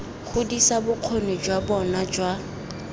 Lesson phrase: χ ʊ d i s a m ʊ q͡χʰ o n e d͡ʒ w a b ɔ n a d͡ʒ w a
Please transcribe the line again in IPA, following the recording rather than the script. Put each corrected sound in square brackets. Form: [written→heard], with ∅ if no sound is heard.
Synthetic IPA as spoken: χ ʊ d i s a [m→b] ʊ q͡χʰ o n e d͡ʒ w a b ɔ n a d͡ʒ w a